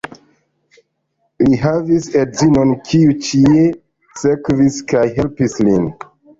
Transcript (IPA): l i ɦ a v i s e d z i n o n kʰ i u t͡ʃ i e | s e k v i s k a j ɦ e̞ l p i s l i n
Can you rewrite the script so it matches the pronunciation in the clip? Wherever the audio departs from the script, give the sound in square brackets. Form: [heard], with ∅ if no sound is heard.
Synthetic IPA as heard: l i ɦ a v i s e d z i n o n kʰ i u t͡ʃ i e | s e k v i s k a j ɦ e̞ l p i s l i n